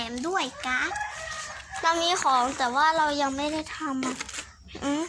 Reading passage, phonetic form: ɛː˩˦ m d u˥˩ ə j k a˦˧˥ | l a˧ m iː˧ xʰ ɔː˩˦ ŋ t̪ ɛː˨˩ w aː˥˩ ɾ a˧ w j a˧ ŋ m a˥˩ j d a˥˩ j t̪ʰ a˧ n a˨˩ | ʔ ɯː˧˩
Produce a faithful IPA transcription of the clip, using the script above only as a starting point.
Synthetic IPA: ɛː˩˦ m d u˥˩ ə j k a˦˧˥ | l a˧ m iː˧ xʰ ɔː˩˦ ŋ t̪ ɛː˨˩ w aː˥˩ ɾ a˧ w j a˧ ŋ m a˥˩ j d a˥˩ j t̪ʰ a˧ m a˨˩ | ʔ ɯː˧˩

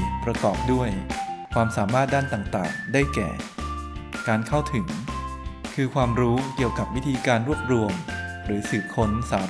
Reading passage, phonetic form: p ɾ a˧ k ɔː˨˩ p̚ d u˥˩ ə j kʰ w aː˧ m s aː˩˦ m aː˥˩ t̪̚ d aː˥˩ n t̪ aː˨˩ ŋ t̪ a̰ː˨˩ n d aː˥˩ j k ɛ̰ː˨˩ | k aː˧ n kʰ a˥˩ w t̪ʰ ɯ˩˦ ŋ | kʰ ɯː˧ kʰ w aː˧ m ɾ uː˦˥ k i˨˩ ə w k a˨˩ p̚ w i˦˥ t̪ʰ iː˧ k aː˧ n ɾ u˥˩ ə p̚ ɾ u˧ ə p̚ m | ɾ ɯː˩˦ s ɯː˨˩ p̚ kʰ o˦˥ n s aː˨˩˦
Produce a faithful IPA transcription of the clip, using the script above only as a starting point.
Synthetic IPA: p ɾ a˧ k ɔː˨˩ p̚ d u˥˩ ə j kʰ w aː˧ m s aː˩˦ m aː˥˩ t̪̚ d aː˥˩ n t̪ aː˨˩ ŋ t̪ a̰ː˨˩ ŋ d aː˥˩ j k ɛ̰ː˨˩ | k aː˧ n kʰ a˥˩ w t̪ʰ ɯ˩˦ ŋ | kʰ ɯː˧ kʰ w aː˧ m ɾ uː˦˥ k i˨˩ ə w k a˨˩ p̚ w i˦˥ t̪ʰ iː˧ k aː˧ n ɾ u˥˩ ə p̚ ɾ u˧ ə m | ɾ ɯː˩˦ s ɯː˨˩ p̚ kʰ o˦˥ n s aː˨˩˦

